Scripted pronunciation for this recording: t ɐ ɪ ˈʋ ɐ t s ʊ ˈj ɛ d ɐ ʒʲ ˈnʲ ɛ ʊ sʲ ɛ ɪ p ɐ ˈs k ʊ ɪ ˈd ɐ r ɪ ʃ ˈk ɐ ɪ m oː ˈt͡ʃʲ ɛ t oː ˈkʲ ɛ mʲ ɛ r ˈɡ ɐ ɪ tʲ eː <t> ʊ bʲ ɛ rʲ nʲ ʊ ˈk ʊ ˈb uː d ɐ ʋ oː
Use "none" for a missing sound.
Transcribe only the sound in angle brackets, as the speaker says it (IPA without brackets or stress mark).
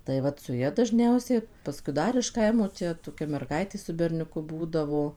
s